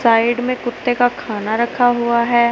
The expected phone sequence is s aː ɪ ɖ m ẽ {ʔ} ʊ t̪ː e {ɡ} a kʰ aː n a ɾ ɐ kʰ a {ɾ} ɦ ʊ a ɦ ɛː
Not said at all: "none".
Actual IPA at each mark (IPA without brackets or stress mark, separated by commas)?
k, k, none